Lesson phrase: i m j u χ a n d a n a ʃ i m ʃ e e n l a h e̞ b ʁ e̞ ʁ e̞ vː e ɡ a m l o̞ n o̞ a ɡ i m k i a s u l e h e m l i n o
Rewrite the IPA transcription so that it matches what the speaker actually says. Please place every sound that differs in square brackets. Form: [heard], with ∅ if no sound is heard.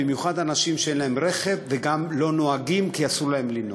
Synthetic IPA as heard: i m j u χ a [∅] d a n a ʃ i m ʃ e e n l a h e̞ [m] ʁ e̞ [χ] e̞ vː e ɡ a m l o̞ n o̞ a ɡ i m k i a s u l [a] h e m l i n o